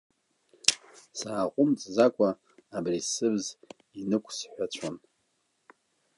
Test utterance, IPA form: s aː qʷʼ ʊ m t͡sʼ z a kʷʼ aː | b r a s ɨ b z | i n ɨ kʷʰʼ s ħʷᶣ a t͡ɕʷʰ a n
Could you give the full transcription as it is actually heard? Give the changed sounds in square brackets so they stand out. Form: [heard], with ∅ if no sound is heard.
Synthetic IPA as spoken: s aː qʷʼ ʊ m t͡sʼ z a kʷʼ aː | b r [i] s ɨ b z | i n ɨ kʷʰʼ s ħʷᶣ a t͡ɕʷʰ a n